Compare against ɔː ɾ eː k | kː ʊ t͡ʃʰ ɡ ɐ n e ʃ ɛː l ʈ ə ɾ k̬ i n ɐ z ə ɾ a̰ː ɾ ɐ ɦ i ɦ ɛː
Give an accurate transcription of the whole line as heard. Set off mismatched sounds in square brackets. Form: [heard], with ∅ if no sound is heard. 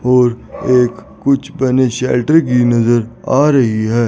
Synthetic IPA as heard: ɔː ɾ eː k | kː ʊ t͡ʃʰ [b] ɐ n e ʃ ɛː l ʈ ə ɾ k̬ i n ɐ z ə ɾ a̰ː ɾ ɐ ɦ i ɦ ɛː